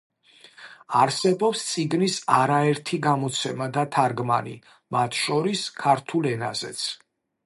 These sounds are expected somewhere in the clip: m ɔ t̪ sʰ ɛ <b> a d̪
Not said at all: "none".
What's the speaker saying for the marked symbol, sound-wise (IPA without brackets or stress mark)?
m